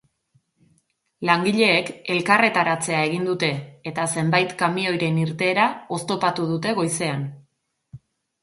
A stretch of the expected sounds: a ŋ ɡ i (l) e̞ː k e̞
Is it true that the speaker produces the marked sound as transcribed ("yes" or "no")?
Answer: no